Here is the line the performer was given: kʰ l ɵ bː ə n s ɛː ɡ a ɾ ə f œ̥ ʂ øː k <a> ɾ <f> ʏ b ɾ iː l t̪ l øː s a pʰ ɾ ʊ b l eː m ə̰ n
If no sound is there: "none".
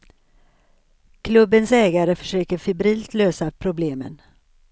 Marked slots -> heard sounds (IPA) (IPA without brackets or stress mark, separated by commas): ə, f